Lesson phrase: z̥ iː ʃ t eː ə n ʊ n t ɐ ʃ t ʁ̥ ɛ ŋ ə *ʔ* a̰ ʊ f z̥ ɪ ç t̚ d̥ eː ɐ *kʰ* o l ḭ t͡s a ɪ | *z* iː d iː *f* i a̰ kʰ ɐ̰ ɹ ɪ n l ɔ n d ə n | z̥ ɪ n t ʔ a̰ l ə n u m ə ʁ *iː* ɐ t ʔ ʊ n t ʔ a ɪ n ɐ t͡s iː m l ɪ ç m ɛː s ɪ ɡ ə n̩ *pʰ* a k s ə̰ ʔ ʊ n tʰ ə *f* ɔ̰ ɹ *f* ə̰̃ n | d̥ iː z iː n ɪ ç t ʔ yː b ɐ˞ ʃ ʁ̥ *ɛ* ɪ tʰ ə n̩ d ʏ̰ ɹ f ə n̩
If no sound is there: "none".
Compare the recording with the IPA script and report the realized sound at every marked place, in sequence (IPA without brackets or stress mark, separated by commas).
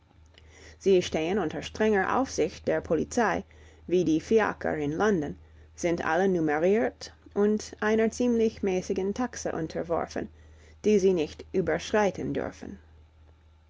ʔ, pʰ, v, f, iː, tʰ, v, f, a